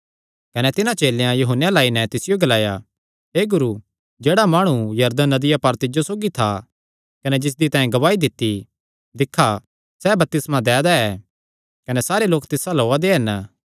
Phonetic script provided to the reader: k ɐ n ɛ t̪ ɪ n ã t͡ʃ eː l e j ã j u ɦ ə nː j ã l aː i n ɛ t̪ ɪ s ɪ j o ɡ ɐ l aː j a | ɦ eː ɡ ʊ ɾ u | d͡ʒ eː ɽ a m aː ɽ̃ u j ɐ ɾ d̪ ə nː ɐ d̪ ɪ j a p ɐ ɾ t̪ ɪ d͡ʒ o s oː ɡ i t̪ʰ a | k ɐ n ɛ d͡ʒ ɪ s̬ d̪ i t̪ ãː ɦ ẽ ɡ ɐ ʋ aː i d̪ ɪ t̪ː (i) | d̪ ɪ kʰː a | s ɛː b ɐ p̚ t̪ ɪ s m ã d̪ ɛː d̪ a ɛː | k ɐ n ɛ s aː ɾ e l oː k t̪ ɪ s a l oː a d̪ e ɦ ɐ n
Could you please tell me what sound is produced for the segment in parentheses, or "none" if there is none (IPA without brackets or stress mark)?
i